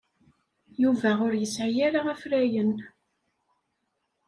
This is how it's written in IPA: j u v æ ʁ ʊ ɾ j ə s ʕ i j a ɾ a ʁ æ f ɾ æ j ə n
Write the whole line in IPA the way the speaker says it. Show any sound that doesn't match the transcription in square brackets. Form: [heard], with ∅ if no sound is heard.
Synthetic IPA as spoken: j u v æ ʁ ʊ ɾ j ə s ʕ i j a ɾ a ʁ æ f ɾ æ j ə n

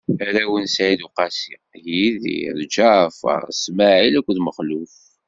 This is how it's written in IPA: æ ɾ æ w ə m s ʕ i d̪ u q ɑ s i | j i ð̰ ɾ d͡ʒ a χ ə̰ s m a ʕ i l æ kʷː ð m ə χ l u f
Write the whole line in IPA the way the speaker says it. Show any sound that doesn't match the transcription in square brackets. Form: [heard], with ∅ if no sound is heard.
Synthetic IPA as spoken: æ ɾ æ w ə [n] s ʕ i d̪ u q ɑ s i | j i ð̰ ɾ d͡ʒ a [f] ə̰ s m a ʕ i l æ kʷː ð m ə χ l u f

